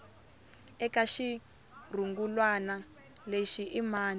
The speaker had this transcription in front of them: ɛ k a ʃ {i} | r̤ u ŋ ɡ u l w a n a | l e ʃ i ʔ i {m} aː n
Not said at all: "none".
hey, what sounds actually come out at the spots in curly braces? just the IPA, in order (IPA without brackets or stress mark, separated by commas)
i, m